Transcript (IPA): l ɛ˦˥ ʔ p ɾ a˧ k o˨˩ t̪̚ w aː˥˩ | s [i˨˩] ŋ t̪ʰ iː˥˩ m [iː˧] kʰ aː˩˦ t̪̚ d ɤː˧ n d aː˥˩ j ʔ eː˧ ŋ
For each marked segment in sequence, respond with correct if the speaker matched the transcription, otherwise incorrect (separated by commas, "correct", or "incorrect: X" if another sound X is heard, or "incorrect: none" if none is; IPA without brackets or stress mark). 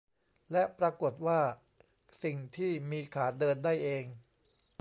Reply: correct, correct